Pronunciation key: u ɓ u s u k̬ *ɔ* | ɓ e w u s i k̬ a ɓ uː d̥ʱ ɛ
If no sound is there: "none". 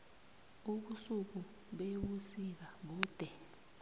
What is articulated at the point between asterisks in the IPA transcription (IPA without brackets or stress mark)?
u